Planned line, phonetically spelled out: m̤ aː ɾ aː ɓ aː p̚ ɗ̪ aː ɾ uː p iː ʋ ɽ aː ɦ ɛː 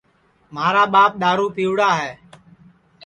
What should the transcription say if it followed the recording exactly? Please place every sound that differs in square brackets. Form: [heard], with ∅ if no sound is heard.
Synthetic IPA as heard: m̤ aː ɾ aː ɓ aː p̚ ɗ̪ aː ɾ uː p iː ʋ ɽ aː ɦ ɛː

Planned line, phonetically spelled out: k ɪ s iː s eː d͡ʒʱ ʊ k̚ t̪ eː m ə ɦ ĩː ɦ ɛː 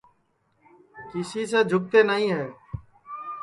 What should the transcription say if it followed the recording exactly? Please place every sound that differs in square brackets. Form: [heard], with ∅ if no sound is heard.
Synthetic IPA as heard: k ɪ s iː s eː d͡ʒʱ ʊ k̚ t̪ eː [n] ə ɦ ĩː ɦ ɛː

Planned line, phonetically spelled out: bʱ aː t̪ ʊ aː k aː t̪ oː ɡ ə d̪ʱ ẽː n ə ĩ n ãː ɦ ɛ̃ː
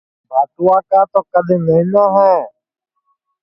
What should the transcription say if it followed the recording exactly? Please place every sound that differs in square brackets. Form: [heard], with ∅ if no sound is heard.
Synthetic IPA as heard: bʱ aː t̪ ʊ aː k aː t̪ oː [k] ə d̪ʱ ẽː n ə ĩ n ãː ɦ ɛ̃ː

